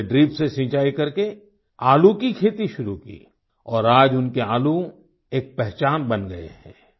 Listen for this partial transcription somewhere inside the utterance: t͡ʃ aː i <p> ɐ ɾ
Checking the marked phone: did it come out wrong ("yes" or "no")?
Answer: yes